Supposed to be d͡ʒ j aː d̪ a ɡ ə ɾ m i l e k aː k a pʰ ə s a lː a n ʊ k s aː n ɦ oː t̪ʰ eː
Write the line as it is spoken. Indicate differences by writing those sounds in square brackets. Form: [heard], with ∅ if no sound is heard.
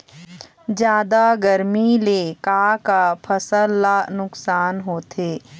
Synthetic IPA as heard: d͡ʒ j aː d̪ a ɡ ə ɾ m i l e k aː k a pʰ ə s [ə] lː a n ʊ k s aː n ɦ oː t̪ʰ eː